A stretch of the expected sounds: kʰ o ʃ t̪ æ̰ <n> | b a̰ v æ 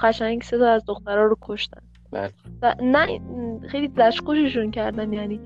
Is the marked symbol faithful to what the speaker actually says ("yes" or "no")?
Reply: yes